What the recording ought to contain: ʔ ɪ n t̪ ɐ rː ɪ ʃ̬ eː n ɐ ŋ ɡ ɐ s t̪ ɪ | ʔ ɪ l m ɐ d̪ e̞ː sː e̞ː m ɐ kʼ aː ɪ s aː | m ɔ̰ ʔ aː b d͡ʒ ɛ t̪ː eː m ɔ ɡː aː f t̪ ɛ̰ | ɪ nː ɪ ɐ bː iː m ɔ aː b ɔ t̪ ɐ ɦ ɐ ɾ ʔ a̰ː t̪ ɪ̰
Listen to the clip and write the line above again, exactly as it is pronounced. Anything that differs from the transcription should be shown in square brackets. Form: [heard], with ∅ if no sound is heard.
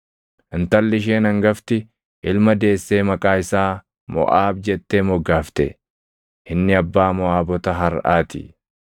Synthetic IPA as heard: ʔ ɪ n t̪ ɐ [lː] ɪ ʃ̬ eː n ɐ ŋ ɡ ɐ [f] t̪ ɪ | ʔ ɪ l m ɐ d̪ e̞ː sː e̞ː m ɐ kʼ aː ɪ s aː | m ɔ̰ ʔ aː b d͡ʒ ɛ t̪ː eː m ɔ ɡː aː f t̪ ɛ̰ | ɪ nː ɪ ɐ bː [aː] m ɔ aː b ɔ t̪ ɐ ɦ ɐ ɾ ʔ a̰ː t̪ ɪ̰